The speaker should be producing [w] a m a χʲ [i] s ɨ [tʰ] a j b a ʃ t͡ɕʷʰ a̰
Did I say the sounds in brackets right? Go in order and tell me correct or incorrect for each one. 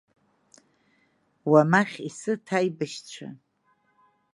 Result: correct, correct, correct

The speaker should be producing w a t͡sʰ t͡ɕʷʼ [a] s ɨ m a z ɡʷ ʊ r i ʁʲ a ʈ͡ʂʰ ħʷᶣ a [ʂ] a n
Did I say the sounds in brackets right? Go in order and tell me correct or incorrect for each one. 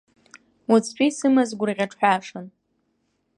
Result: incorrect: i, correct

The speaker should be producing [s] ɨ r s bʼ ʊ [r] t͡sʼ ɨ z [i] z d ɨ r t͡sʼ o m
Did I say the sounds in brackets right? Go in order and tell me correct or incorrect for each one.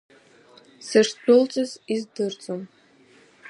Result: correct, incorrect: l, correct

